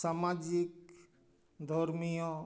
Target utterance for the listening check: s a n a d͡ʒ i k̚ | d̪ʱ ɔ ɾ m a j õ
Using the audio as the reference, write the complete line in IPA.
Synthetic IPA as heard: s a m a d͡ʒ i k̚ | d̪ʱ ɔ ɾ m i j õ